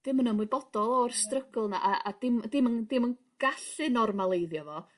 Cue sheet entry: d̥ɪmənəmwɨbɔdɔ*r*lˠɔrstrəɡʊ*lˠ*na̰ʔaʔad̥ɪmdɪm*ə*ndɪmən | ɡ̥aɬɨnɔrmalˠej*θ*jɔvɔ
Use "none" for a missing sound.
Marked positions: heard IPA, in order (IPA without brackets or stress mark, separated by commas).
none, lˠ, ə, ð